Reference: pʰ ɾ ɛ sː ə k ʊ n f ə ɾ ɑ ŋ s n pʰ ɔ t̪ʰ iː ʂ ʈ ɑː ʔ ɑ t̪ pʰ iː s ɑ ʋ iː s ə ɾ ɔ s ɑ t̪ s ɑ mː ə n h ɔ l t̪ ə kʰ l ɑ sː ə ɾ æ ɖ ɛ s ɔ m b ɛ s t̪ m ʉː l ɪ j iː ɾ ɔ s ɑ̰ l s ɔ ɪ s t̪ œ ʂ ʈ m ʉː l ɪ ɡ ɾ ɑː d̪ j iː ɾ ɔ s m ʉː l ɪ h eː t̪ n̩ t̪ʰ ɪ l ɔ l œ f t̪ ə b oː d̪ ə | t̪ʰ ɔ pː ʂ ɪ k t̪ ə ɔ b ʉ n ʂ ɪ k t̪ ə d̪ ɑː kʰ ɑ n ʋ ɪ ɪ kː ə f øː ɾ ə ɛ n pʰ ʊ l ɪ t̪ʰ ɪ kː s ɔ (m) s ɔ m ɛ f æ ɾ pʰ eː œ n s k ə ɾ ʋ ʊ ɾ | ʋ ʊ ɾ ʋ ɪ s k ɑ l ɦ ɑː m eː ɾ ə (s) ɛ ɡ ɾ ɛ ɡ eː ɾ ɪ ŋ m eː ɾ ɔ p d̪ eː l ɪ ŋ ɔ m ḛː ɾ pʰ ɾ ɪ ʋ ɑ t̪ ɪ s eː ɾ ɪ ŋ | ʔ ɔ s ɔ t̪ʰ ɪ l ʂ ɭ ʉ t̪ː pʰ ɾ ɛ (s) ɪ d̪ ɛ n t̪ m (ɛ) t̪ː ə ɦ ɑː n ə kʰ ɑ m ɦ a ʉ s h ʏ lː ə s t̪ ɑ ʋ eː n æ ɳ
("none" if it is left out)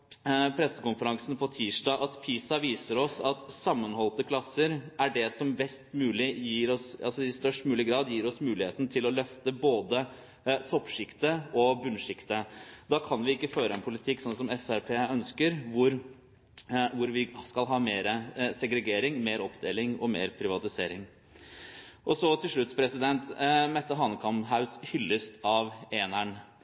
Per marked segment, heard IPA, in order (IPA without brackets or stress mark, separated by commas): n, s, s, ɛ